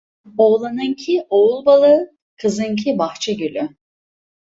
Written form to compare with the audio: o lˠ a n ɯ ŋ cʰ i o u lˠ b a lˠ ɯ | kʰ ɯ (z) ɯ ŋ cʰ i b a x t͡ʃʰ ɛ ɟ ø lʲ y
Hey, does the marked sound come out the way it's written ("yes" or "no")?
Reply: yes